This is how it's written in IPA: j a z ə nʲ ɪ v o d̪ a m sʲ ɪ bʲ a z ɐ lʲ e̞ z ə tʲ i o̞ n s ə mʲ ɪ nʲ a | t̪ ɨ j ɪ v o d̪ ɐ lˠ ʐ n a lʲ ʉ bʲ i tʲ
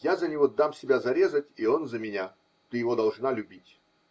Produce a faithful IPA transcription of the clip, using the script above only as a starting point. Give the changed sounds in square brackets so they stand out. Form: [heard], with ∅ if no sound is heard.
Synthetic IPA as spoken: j a z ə nʲ ɪ v o d̪ a m sʲ ɪ bʲ a z ɐ [ɾʲ] e̞ z ə tʲ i o̞ n [z] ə mʲ ɪ nʲ a | t̪ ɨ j ɪ v o d̪ ɐ lˠ ʐ n a lʲ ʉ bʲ i tʲ